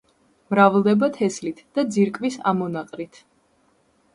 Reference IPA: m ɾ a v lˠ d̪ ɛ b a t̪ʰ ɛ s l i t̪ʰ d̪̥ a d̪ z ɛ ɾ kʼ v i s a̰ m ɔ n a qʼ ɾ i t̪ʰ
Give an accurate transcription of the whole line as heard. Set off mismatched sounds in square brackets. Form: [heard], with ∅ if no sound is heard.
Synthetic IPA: m ɾ a v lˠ d̪ ɛ b a t̪ʰ ɛ s l i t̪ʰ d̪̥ a d̪ z [i] ɾ kʼ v i s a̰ m ɔ n a qʼ ɾ i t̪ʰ